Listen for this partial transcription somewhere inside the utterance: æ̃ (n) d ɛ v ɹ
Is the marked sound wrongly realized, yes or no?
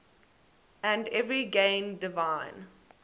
no